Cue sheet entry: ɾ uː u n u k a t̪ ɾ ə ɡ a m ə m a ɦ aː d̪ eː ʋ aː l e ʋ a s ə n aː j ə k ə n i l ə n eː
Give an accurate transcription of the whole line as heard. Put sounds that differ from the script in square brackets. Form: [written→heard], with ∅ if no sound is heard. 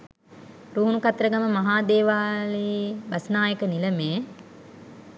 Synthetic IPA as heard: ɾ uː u n u k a t̪ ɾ ə ɡ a m ə m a ɦ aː d̪ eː ʋ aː l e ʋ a s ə n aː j ə k ə n i l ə [n→m] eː